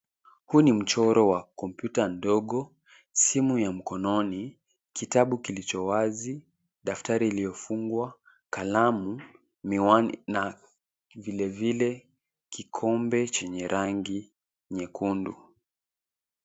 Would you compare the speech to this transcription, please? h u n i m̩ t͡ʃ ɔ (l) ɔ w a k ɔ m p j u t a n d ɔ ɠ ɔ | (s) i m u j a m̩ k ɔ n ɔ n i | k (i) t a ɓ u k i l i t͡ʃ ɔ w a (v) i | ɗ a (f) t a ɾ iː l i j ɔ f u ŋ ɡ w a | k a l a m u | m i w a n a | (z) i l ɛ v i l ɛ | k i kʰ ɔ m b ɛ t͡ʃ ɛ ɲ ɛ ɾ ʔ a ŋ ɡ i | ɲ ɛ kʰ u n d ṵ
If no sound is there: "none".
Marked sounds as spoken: ɾ, s, i, z, f, v

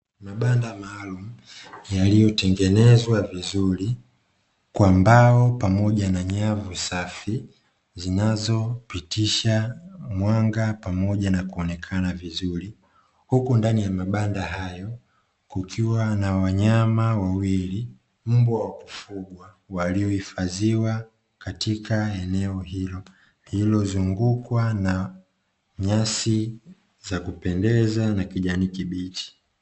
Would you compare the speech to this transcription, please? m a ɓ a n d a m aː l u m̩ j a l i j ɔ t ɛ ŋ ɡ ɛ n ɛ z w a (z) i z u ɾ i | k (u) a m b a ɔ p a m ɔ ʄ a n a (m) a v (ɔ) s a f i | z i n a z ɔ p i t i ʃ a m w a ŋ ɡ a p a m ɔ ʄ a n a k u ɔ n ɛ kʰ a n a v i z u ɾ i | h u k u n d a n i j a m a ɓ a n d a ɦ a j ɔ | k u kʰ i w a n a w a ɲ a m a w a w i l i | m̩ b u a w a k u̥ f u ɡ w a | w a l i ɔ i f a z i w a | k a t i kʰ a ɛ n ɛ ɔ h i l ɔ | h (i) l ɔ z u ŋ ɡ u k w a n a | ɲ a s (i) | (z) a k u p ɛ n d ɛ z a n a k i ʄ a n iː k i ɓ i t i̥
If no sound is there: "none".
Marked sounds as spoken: v, w, ɲ, u, i, i, z

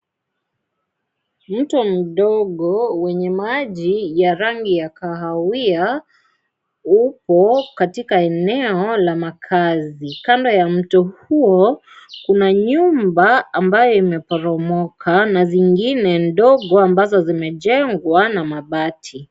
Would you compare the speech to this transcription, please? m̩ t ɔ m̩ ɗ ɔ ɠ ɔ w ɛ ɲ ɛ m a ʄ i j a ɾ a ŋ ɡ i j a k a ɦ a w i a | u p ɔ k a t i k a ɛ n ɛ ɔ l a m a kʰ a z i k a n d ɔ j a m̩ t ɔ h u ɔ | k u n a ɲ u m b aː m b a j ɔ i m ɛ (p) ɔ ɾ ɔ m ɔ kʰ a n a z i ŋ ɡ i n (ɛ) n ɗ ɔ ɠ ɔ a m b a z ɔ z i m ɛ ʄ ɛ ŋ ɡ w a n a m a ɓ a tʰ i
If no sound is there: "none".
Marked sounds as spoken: p, ɛ

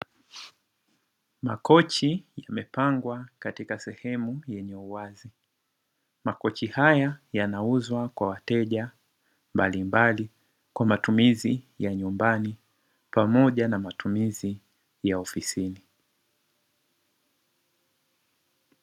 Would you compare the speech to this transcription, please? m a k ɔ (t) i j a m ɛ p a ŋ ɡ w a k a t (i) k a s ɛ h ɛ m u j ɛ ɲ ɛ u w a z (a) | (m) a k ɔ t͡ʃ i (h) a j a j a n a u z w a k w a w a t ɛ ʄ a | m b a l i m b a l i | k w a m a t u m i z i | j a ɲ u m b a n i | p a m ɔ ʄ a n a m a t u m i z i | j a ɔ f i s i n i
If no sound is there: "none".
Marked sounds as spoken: t͡ʃ, i, i, m, h

